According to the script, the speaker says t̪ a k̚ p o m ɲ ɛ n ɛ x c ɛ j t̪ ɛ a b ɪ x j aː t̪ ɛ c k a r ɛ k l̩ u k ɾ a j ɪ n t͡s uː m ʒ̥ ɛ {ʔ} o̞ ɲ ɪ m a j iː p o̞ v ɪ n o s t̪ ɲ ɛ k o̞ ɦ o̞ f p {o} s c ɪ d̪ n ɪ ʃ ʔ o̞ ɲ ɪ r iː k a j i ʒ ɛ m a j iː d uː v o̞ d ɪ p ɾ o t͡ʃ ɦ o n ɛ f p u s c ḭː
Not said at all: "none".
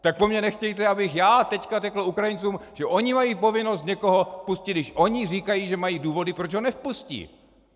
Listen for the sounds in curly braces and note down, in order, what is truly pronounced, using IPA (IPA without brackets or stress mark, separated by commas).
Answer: ʔ, u